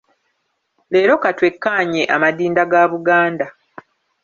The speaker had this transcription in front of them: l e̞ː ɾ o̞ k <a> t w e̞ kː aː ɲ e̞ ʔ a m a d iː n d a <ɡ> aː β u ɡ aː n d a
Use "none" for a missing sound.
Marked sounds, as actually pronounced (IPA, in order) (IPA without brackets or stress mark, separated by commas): a, ɡ